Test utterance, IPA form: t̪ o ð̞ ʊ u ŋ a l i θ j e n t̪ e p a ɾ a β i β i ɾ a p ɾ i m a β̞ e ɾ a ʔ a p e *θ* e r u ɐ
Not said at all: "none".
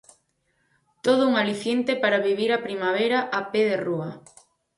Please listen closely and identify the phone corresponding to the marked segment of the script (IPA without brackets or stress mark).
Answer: ð